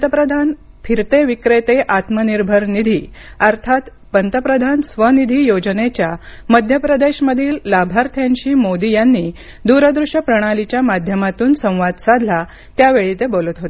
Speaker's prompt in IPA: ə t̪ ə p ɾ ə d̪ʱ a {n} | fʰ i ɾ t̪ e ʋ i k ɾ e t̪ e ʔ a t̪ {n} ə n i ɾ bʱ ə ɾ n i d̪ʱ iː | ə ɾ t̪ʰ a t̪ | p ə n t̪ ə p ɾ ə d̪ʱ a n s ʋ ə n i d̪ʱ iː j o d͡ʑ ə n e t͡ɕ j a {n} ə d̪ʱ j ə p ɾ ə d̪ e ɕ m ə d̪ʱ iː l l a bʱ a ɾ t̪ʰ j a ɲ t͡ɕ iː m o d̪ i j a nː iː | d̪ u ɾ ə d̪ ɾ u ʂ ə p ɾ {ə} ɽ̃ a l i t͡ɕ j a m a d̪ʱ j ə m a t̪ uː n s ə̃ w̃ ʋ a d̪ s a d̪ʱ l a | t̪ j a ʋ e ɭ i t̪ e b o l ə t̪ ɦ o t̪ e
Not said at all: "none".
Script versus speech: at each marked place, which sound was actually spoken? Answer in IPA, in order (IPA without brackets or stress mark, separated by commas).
n, m, m, ə